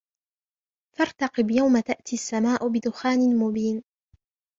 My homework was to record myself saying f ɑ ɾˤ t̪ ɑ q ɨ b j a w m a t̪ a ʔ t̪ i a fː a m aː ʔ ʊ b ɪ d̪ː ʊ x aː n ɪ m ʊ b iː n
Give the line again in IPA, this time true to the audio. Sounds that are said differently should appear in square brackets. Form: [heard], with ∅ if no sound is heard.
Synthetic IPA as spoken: f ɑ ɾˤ t̪ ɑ q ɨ b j a w m a t̪ a ʔ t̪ i a [sː] a m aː ʔ ʊ b ɪ [d̪] ʊ x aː n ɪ m ʊ b iː n